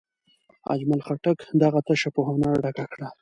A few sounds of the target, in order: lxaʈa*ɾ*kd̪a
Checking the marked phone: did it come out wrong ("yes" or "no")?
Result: yes